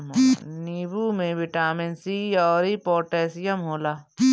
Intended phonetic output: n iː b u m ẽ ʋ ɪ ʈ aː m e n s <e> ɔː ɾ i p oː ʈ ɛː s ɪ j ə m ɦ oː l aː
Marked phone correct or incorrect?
incorrect